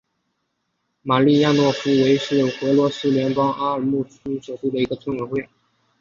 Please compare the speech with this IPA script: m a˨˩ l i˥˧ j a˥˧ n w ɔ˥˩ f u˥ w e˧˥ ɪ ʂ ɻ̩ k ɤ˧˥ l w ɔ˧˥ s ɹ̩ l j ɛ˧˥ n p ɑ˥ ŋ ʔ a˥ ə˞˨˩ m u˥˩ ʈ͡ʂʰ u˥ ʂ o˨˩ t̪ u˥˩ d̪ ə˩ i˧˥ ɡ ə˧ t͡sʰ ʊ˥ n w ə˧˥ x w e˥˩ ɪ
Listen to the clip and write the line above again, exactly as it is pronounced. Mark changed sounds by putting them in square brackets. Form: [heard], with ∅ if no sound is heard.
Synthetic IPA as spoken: m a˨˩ l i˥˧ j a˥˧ n w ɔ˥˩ f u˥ w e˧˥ ɪ ʂ ɻ̩ [x] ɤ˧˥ l w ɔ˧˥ s ɹ̩ l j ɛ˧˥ n p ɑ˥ ŋ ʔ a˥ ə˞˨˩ m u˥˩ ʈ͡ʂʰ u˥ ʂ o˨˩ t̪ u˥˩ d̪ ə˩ i˧˥ ɡ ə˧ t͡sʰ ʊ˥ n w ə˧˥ x w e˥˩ ɪ